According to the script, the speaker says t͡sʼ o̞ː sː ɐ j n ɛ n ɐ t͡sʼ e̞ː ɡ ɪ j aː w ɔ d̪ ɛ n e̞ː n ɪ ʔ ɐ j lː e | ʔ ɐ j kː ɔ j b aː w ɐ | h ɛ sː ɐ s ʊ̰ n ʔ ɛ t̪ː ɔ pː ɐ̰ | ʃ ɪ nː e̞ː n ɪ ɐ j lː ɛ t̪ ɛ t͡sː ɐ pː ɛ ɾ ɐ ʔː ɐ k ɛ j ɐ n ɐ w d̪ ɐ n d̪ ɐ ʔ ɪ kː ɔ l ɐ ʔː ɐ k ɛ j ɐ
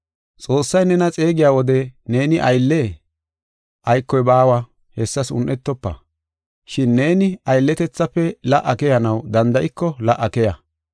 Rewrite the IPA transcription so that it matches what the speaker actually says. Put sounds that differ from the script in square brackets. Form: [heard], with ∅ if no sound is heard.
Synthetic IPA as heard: t͡sʼ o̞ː sː ɐ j n ɛ n ɐ t͡sʼ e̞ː ɡ ɪ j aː w ɔ d̪ ɛ n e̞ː n ɪ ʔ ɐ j lː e | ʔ ɐ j kː ɔ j b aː w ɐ | h ɛ sː ɐ s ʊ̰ n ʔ ɛ t̪ː ɔ pː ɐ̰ | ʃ ɪ nː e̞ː n ɪ ɐ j lː ɛ t̪ ɛ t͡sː ɐ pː ɛ [l] ɐ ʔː ɐ k ɛ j ɐ n ɐ w d̪ ɐ n d̪ ɐ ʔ ɪ kː ɔ l ɐ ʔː ɐ k ɛ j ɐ